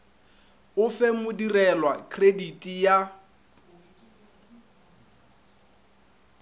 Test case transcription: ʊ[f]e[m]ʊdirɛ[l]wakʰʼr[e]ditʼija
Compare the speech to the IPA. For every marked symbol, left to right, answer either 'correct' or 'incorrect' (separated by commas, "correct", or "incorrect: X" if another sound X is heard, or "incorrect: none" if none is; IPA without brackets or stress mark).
correct, correct, correct, correct